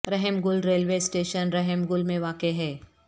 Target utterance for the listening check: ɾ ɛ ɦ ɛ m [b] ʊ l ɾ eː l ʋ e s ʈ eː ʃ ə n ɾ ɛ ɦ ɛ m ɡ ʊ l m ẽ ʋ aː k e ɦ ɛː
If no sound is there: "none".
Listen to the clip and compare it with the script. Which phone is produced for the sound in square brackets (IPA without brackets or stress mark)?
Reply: ɡ